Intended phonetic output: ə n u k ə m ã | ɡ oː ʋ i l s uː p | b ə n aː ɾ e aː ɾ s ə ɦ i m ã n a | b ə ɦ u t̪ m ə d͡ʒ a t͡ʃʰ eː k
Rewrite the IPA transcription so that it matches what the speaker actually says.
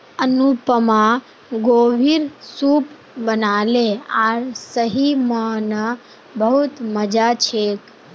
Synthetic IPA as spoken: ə n u p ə m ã | ɡ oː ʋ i ɾ s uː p | b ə n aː l e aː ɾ s ə ɦ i m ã n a | b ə ɦ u t̪ m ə d͡ʒ a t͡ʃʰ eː k